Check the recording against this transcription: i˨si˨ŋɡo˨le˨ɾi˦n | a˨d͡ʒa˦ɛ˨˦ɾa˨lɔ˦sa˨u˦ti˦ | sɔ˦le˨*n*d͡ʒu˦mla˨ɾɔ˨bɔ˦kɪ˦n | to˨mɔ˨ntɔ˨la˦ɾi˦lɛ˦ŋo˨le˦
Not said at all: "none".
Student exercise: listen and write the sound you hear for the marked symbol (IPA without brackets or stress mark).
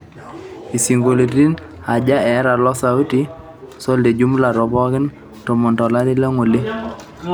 none